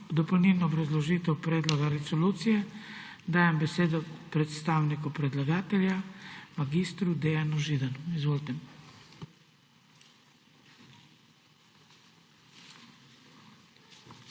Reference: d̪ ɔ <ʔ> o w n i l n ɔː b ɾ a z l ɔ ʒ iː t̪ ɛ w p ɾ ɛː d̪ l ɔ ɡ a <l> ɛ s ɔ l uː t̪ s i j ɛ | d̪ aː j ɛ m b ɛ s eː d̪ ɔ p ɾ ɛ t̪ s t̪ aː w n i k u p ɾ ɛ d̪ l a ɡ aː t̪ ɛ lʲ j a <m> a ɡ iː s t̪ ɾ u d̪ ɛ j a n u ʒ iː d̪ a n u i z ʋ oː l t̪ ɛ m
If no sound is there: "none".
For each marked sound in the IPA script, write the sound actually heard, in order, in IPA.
p, ɾ, m

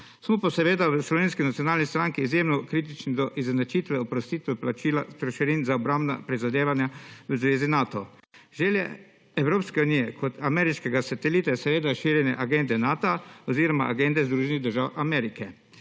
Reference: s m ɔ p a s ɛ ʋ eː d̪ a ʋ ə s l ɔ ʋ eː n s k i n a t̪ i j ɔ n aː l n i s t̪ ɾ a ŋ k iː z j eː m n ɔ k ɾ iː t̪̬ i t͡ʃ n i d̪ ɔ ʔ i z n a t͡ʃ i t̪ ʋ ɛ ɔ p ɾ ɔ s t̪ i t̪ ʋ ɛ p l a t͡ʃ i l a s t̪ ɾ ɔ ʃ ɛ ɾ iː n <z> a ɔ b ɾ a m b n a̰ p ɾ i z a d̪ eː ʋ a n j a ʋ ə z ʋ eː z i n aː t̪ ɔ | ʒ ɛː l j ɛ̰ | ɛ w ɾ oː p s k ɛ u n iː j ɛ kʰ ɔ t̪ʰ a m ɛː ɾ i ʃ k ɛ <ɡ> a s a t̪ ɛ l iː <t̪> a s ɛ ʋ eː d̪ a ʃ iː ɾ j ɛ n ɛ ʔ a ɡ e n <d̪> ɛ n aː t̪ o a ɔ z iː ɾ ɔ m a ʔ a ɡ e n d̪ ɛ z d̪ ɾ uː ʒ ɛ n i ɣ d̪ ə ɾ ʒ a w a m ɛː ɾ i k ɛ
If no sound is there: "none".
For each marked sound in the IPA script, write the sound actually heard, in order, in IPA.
z, ɡ, t̪, d̪

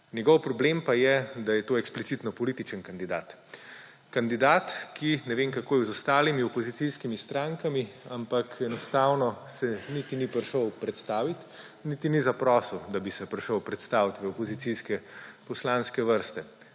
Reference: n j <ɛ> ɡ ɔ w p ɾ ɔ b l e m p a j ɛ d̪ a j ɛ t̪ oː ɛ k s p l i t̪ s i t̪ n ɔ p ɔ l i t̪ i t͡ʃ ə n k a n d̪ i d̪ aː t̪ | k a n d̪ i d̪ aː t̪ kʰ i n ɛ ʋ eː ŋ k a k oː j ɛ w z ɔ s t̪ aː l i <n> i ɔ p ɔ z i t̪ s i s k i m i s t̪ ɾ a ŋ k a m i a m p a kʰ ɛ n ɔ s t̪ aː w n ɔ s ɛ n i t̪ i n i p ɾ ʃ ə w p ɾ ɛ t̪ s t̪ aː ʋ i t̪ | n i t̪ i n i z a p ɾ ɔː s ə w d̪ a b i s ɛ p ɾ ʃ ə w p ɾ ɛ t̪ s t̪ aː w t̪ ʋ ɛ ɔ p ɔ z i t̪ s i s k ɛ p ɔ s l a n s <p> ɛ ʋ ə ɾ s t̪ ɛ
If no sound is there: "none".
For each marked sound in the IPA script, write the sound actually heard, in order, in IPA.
ɛ, m, k

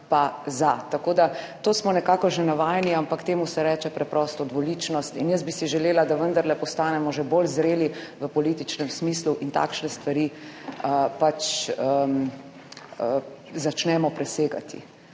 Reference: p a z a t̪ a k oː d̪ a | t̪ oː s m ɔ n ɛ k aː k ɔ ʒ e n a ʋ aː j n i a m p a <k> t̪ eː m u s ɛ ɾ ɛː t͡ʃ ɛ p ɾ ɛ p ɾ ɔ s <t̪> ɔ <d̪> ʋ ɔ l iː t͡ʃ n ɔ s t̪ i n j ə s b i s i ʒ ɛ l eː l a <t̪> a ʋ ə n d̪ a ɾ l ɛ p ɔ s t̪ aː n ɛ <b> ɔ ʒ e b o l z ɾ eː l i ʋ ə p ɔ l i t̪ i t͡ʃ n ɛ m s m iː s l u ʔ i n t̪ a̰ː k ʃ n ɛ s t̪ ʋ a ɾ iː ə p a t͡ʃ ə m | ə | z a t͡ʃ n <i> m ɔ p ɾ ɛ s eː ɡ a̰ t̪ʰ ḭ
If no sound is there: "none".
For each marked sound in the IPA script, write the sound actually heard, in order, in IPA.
k, t̪, d̪, d̪, m, ɛ

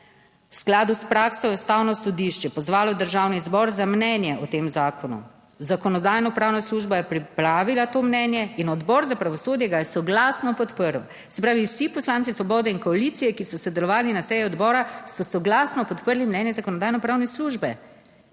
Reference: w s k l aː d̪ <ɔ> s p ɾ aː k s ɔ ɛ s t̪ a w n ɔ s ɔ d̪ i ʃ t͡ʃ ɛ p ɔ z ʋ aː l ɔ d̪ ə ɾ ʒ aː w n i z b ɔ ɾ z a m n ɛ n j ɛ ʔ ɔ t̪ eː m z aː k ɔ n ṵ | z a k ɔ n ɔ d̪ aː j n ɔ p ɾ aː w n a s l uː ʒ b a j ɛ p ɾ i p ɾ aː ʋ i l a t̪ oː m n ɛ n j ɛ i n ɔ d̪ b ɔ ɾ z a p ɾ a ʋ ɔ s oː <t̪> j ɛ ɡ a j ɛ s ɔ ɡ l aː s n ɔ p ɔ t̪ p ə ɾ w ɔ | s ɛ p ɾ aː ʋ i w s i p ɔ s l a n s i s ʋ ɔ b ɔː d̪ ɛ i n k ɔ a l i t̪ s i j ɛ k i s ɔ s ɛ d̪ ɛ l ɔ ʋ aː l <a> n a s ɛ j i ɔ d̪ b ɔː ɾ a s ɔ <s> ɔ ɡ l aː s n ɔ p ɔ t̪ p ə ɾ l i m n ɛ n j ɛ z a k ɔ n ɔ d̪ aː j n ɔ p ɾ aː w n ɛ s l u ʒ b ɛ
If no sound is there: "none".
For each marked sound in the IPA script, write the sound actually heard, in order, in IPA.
u, d̪, i, s

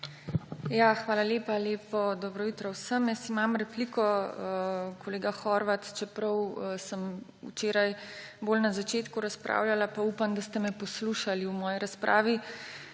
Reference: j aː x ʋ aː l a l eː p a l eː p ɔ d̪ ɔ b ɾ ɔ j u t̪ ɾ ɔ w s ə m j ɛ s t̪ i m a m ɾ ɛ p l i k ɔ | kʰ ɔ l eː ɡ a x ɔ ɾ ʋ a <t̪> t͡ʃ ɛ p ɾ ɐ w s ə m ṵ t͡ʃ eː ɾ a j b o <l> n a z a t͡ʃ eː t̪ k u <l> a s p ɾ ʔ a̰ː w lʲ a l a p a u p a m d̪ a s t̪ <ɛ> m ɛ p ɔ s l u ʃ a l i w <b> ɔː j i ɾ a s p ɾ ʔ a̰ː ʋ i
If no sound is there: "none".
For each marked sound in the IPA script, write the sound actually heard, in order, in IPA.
t̪, l, ɾ, ɛ, m

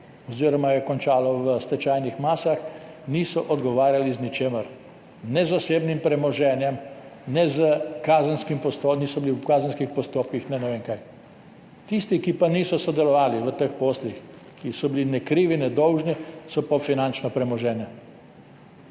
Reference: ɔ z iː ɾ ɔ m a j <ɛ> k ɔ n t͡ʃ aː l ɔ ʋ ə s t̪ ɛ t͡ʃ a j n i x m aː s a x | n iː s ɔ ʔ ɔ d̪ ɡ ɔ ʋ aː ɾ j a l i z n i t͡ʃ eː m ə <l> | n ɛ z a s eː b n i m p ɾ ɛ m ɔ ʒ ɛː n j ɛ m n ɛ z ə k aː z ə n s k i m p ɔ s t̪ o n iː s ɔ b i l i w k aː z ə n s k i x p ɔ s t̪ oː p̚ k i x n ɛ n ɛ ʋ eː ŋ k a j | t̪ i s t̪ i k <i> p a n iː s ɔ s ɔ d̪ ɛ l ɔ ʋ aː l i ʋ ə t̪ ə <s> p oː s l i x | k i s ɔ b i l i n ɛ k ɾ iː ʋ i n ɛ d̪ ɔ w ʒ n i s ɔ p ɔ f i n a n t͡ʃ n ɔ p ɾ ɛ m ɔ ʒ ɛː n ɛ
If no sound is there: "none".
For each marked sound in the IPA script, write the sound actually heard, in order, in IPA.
ɛ, ɾ, i, x

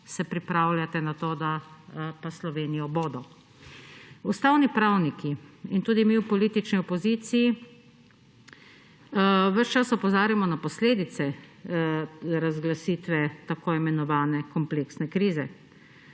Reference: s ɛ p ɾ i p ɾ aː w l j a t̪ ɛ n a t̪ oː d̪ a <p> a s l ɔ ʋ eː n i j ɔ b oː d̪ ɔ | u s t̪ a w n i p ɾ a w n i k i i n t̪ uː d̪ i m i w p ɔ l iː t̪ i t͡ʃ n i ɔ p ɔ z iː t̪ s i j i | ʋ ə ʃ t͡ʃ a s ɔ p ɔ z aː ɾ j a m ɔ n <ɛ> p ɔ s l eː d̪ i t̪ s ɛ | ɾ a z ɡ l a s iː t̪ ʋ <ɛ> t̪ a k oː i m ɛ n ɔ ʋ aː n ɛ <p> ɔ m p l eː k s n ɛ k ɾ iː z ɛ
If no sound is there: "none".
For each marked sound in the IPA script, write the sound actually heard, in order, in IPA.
p, a, ɛ, k

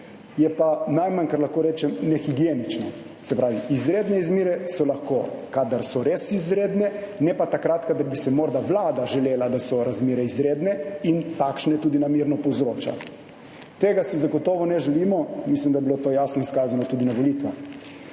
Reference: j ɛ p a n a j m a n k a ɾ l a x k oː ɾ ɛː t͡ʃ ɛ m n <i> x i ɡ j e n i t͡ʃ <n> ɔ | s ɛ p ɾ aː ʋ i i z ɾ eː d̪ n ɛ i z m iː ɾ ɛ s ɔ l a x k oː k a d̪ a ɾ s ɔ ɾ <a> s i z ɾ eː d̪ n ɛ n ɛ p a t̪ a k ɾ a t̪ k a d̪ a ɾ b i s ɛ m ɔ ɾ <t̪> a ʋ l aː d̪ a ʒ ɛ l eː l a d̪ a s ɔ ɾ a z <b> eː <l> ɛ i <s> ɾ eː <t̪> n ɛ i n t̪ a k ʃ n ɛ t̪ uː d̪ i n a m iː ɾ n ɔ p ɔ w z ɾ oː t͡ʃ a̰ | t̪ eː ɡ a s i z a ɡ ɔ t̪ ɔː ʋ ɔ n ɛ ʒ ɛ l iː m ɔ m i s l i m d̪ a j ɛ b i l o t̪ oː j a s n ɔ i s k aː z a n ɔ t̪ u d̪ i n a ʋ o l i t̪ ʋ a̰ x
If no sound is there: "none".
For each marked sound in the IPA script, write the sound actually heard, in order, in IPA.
ɛ, n, e, d̪, m, ɾ, z, d̪

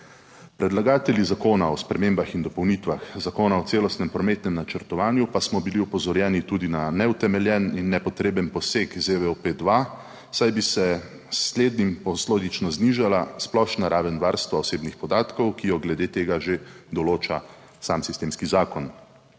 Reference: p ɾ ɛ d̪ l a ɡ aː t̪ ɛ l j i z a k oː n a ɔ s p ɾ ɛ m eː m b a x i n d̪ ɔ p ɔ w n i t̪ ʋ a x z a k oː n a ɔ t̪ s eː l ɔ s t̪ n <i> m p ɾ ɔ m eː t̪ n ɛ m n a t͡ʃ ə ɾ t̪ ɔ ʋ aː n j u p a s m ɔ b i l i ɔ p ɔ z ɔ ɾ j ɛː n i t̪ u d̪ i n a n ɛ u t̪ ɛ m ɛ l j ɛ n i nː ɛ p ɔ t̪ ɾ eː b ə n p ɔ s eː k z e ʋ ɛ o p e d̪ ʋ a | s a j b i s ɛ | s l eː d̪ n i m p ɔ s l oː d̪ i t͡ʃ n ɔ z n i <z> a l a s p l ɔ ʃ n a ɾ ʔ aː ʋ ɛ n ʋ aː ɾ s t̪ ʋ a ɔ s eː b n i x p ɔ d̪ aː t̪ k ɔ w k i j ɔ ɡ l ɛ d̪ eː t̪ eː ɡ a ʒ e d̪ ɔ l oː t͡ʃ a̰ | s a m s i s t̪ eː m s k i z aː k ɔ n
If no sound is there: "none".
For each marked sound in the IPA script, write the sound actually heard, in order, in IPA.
ɛ, ʒ

